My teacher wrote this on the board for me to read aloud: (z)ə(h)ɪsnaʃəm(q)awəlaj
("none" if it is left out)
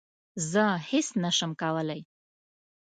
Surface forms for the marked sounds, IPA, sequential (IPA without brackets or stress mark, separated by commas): z, h, k